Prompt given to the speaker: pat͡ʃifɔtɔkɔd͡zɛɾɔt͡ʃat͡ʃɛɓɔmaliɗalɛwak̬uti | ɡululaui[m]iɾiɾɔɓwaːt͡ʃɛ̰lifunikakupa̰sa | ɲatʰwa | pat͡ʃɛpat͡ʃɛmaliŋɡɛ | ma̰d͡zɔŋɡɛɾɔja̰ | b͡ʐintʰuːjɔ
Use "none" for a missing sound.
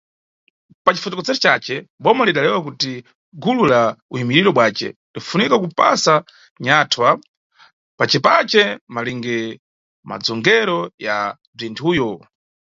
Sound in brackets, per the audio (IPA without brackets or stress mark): m